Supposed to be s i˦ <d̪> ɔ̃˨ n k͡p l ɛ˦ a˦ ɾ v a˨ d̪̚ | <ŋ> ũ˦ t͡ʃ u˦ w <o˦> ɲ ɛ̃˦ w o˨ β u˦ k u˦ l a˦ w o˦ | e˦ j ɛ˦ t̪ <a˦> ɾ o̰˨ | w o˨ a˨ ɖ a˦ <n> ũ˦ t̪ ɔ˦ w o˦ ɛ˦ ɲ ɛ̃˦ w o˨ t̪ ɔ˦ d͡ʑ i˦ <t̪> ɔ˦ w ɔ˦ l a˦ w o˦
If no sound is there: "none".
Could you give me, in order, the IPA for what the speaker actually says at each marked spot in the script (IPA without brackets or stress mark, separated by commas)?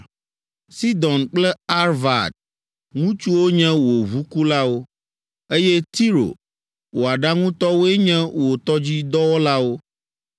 d̪, ŋ, o˦, i˦, ŋ, d̪